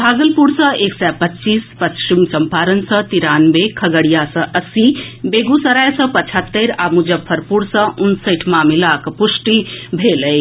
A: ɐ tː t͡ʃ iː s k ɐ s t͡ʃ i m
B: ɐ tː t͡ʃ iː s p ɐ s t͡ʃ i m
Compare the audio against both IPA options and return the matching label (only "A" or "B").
B